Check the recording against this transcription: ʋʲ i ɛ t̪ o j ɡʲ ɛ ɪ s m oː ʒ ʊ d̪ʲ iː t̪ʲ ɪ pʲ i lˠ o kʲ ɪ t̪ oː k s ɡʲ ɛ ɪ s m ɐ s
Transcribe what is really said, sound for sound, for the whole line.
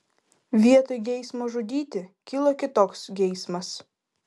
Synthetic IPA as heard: ʋʲ i ɛ t̪ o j ɡʲ ɛ ɪ s m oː ʒ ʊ d̪ʲ iː t̪ʲ ɪ kʲ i lˠ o kʲ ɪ t̪ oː k s ɡʲ ɛ ɪ s m ɐ s